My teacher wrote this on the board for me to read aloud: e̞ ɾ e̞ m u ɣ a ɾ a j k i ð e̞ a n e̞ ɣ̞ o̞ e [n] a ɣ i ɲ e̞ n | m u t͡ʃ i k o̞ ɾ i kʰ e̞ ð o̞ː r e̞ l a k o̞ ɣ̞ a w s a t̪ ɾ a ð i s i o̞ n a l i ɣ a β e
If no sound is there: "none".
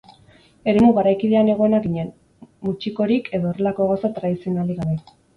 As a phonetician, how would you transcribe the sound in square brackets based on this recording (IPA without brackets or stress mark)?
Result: n